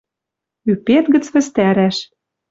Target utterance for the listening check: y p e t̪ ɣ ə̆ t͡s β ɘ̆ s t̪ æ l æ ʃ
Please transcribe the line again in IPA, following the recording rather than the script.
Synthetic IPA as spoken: y p e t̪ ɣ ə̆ t͡s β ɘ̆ s t̪ æ ɾ æ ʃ